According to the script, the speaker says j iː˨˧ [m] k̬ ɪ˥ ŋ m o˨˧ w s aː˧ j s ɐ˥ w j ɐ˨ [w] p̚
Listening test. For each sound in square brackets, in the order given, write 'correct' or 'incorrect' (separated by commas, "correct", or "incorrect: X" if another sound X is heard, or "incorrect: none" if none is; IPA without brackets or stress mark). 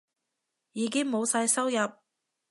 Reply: incorrect: none, incorrect: none